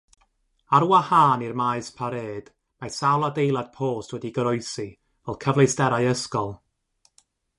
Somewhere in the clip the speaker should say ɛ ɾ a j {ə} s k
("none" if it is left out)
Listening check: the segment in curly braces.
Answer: ə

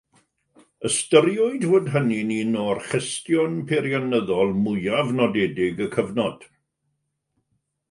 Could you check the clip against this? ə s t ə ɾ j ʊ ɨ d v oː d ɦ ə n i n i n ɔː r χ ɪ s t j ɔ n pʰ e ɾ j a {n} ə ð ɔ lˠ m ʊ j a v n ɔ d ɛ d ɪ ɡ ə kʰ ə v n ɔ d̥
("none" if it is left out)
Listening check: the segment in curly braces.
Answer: n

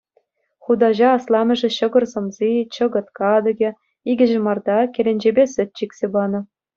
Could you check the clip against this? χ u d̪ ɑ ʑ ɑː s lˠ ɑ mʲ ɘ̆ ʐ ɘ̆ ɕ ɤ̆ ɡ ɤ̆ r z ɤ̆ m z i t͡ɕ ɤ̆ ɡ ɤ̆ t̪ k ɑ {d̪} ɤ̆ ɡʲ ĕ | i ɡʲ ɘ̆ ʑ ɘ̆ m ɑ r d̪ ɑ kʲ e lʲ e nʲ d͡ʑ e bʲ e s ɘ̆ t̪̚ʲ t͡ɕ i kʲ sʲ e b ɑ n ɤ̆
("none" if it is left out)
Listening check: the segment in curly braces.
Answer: d̪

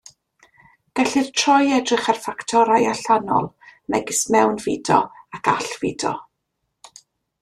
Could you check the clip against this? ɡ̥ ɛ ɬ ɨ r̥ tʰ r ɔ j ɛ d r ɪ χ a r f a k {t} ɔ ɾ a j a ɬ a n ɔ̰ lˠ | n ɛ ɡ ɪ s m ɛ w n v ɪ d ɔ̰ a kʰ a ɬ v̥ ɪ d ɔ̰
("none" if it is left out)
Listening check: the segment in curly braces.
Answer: tʰ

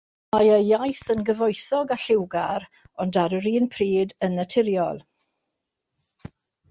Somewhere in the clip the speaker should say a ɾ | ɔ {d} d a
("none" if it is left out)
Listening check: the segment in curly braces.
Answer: n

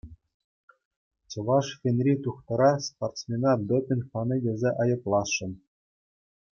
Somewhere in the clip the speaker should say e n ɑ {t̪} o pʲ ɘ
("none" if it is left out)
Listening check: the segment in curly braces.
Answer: d̪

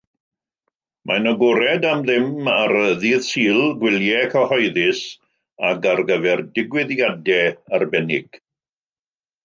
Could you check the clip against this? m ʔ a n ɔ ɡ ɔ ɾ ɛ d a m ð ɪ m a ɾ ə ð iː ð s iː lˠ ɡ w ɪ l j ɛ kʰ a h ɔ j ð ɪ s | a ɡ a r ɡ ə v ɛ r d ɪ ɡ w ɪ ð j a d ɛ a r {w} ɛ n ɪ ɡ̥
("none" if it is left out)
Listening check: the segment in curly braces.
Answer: b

